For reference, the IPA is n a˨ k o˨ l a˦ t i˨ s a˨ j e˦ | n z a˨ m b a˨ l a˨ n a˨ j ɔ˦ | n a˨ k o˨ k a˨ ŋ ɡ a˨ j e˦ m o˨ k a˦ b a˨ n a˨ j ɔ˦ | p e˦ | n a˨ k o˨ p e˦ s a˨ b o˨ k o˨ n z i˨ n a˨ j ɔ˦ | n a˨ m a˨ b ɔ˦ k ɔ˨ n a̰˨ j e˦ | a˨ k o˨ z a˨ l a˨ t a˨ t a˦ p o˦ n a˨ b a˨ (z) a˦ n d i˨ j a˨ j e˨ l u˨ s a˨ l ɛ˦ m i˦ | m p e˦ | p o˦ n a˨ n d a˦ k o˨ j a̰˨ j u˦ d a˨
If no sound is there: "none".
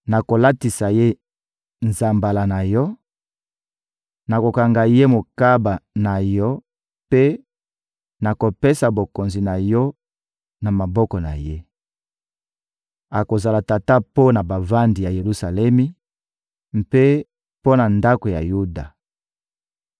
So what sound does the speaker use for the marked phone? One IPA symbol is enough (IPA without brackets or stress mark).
v